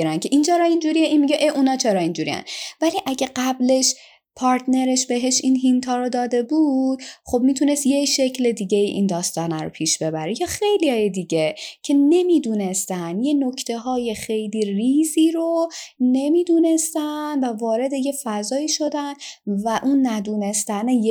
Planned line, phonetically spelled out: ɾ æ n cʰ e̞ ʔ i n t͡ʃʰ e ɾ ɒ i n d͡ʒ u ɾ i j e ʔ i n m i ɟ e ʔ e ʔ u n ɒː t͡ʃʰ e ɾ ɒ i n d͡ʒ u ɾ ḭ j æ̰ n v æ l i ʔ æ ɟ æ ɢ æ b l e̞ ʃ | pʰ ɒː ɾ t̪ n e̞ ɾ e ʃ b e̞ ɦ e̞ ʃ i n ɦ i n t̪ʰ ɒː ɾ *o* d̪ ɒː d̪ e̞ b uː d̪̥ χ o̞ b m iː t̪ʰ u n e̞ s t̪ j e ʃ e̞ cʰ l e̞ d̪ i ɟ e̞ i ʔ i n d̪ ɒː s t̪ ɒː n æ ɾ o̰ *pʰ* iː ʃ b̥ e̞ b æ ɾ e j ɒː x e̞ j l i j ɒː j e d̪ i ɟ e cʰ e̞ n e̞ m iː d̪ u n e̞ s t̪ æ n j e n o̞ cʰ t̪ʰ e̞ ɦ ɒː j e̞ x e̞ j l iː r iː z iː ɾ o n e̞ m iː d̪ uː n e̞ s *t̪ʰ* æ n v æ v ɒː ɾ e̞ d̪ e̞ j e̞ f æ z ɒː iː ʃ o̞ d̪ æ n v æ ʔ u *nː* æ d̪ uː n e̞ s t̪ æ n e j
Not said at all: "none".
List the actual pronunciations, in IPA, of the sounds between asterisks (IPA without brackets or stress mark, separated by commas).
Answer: o, pʰ, t̪, nː